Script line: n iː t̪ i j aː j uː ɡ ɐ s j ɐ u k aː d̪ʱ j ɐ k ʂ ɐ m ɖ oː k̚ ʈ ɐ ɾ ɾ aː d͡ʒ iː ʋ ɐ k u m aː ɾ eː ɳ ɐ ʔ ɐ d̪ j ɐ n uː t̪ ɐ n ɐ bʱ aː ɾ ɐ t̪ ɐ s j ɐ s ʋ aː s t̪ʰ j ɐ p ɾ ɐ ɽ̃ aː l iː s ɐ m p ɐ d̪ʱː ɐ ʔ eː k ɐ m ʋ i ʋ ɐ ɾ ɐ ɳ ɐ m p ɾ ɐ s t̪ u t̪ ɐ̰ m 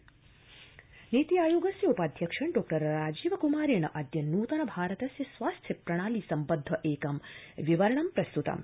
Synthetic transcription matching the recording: n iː t̪ i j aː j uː ɡ ɐ s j ɐ u p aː d̪ʱ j ɐ k ʂ ɐ ɳ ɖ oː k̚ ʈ ɐ ɾ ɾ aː d͡ʒ iː ʋ ɐ k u m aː ɾ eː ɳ ɐ ʔ ɐ d̪ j ɐ n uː t̪ ɐ n ɐ bʱ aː ɾ ɐ t̪ ɐ s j ɐ s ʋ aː s t̪ʰ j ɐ p ɾ ɐ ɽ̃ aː l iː s ɐ m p ɐ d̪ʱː ɐ ʔ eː k ɐ m ʋ i ʋ ɐ ɾ ɐ ɳ ɐ m p ɾ ɐ s t̪ u t̪ ɐ̰ m